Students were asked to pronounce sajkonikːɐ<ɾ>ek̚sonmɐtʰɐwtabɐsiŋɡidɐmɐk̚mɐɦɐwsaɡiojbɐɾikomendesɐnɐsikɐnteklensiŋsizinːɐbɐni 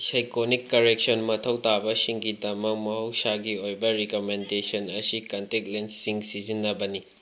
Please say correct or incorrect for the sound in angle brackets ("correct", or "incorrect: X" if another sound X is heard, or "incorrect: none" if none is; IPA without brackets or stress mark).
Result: correct